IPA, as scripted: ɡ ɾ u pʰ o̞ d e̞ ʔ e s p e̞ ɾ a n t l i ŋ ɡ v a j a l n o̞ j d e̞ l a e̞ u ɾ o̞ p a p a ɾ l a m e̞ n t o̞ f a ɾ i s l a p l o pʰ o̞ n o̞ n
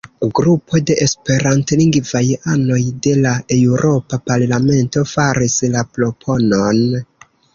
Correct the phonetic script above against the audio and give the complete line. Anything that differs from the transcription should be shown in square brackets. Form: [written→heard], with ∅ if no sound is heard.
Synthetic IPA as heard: ɡ ɾ u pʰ o̞ d e̞ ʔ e s p e̞ ɾ a n t l i ŋ ɡ v a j a [l→∅] n o̞ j d e̞ l a e̞ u ɾ o̞ p a p a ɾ l a m e̞ n t o̞ f a ɾ i s l a p l o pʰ o̞ n o̞ n